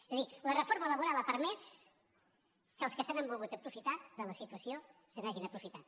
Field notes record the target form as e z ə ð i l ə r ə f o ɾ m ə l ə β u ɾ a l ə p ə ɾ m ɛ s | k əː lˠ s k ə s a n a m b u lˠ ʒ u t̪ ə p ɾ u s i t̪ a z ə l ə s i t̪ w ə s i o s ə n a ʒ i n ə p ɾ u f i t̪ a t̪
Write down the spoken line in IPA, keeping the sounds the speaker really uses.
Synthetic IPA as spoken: e z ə ð i l ə r ə f o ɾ m ə l ə β u ɾ a l ə p ə ɾ m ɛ s | k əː lˠ s k ə s a n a m b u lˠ ɣ u t̪ ə p ɾ u f i t̪ a ð ə l ə s i t̪ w ə s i o s ə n a ʒ i n ə p ɾ u f i t̪ a t̪